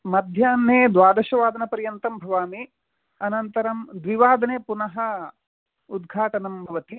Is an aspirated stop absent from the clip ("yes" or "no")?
yes